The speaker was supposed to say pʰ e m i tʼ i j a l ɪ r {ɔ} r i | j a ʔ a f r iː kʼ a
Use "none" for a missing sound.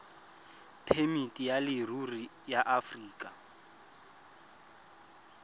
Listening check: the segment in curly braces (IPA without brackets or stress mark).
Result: u